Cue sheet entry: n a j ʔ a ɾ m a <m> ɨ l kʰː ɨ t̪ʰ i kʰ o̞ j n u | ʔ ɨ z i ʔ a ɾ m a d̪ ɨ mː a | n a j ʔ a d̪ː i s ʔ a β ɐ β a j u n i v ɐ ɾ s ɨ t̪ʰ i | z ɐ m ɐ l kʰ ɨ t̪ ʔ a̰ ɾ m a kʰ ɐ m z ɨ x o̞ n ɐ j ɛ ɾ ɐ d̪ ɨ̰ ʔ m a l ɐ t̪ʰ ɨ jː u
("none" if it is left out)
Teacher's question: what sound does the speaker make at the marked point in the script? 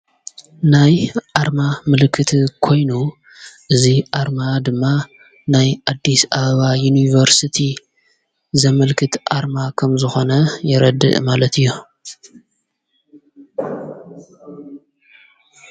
m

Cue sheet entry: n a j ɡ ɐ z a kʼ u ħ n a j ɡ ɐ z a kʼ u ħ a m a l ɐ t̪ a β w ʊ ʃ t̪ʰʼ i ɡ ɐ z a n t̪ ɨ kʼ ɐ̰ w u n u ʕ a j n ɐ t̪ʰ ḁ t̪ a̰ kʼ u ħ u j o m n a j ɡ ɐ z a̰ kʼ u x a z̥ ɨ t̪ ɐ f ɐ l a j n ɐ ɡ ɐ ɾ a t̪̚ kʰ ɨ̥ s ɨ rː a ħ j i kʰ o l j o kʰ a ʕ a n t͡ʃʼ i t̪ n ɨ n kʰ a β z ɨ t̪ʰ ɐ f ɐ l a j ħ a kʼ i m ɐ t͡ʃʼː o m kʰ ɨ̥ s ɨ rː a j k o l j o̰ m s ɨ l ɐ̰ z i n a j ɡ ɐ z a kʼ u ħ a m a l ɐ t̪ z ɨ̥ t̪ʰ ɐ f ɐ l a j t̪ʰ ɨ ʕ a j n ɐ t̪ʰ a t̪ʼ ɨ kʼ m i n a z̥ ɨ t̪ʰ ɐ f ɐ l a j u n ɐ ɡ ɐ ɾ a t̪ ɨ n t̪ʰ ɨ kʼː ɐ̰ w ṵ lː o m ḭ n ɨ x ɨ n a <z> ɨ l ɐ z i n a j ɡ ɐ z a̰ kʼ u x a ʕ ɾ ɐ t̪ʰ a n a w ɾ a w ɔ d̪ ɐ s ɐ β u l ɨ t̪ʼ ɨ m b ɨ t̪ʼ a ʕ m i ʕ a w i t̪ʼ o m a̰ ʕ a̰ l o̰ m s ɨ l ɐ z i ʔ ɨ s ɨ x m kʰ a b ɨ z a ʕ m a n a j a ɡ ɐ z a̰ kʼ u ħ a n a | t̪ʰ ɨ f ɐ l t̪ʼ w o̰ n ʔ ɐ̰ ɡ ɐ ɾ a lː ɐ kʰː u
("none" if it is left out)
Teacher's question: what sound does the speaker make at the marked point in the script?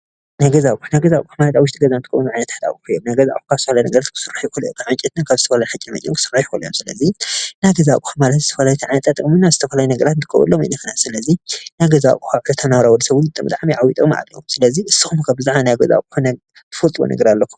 s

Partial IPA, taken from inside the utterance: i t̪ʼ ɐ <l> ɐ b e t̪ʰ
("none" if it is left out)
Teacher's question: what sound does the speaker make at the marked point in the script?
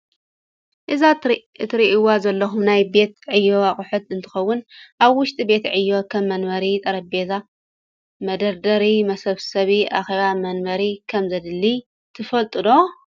ɾ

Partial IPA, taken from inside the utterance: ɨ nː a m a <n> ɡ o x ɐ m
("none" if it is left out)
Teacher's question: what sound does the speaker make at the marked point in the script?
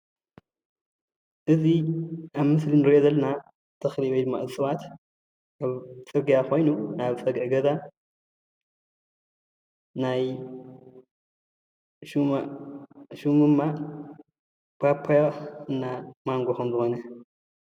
ŋ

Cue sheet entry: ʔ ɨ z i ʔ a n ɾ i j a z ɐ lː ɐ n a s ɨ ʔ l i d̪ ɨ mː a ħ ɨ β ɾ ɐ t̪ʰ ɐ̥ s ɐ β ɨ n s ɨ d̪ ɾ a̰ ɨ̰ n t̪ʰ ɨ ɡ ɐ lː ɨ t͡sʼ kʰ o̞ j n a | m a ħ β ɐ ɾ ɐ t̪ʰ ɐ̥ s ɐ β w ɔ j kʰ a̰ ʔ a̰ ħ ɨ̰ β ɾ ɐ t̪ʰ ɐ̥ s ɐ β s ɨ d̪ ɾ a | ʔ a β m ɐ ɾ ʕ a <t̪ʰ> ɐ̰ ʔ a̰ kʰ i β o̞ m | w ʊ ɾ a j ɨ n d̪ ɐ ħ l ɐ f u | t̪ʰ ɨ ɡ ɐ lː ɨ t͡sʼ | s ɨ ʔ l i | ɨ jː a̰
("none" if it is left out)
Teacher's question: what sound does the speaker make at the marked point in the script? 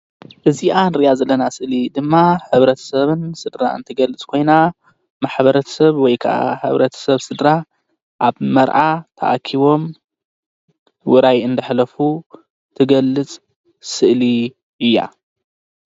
t̪ʰ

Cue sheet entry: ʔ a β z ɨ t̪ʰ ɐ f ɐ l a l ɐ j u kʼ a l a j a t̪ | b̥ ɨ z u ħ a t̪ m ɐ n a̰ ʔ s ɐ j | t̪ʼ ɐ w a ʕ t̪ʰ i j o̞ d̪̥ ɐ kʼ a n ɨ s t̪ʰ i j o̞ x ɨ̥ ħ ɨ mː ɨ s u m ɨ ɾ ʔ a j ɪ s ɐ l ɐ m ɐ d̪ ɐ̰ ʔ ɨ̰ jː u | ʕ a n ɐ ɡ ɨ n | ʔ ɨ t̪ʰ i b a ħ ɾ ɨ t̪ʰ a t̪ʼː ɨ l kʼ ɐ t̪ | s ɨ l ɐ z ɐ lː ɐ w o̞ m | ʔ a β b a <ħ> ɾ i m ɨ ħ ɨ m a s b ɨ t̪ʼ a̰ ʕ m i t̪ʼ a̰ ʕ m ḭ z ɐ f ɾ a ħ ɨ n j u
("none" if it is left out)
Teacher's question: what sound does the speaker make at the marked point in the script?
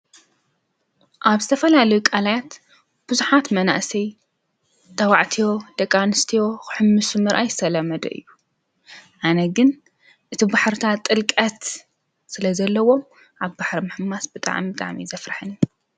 ħ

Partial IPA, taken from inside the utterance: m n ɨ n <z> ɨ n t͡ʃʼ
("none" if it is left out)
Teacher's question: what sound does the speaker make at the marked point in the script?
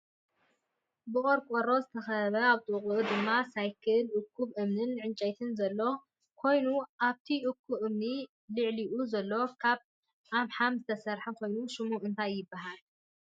ʕ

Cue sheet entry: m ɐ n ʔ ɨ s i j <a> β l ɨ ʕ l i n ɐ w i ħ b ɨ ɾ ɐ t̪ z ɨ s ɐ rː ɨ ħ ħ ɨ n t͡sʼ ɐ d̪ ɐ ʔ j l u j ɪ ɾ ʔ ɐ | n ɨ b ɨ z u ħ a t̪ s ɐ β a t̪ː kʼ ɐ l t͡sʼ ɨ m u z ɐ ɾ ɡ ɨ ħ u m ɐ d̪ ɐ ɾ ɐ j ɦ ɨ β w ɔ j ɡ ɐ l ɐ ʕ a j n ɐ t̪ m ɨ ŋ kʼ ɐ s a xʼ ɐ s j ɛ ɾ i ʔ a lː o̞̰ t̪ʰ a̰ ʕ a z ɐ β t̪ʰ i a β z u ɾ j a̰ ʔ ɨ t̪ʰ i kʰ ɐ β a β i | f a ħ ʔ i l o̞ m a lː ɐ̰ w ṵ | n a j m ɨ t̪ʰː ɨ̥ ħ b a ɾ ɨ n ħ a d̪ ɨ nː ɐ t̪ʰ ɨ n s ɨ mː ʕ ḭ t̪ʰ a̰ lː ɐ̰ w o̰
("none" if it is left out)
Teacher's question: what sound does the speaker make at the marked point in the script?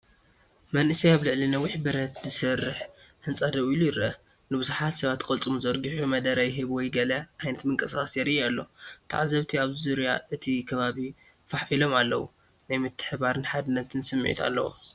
a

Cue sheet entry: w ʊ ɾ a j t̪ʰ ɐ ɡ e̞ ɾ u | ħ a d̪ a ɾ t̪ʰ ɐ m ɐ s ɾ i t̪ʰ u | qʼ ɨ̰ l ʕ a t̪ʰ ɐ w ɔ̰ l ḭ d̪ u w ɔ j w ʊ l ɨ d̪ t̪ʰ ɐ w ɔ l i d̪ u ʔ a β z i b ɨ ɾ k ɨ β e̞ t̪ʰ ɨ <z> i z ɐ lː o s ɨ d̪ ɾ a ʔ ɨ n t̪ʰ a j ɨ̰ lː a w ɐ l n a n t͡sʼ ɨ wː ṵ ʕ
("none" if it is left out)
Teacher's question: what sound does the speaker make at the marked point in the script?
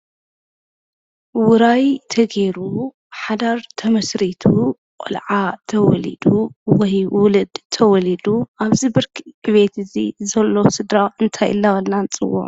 z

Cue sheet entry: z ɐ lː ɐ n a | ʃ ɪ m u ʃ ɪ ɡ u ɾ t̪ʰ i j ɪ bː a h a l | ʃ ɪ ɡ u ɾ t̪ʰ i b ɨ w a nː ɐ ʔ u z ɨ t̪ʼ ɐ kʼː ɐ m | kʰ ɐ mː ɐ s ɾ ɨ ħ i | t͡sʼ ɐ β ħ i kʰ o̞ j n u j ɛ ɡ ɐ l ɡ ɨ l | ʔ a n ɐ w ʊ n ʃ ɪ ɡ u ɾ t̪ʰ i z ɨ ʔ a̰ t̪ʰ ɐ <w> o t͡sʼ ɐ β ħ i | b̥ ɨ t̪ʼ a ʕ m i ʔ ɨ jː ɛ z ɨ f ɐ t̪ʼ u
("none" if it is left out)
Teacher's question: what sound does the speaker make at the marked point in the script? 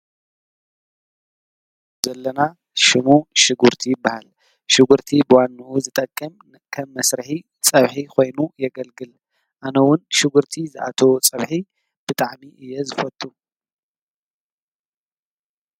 w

